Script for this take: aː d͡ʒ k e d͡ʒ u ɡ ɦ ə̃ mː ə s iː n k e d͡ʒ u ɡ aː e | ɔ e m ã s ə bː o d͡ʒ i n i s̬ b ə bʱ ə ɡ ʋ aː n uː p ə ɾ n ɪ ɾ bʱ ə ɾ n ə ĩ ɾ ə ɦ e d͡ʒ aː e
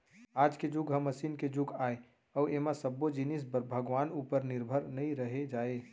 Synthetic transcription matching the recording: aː d͡ʒ k e d͡ʒ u ɡ ɦ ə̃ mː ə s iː n k e d͡ʒ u ɡ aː e | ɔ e m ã s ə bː o d͡ʒ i n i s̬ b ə bʱ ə ɡ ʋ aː n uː p ə ɾ n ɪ ɾ bʱ ə ɾ n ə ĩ ɾ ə ɦ e d͡ʒ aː e